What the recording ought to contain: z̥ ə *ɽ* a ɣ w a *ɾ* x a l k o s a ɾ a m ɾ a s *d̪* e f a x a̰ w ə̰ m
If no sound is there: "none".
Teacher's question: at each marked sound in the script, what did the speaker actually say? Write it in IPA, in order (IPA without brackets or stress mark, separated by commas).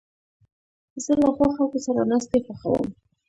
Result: l, none, t̪